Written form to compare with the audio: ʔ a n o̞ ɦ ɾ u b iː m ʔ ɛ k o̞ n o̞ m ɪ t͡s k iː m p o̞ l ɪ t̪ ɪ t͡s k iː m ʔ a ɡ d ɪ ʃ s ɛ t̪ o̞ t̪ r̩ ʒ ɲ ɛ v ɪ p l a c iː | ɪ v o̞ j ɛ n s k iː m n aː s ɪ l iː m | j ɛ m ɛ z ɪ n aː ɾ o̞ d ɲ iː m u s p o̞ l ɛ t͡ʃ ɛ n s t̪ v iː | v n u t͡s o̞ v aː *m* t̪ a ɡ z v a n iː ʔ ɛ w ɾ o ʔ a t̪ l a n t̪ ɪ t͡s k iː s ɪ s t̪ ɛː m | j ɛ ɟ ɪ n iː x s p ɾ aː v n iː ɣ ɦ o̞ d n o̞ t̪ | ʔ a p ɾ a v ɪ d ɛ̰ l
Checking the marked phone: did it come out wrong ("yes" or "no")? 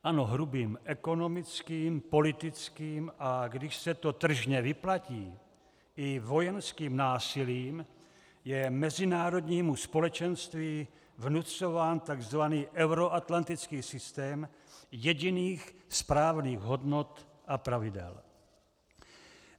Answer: yes